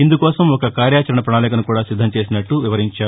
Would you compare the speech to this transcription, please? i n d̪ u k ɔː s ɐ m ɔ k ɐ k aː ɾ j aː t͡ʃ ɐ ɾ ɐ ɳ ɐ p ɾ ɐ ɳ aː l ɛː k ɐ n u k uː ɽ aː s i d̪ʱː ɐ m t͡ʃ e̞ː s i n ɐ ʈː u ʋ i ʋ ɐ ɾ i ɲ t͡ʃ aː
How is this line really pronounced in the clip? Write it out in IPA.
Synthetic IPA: i n d̪ u k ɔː s ɐ m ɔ k ɐ k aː ɾ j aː t͡ʃ ɐ ɾ ɐ ɳ ɐ p ɾ ɐ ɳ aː l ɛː k ɐ n u k uː ɽ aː s i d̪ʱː ɐ m t͡ʃ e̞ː s i n ɐ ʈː u ʋ i ʋ ɐ ɾ i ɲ t͡ʃ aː